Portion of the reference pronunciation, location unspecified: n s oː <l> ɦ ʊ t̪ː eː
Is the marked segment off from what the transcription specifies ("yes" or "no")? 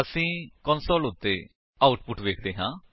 no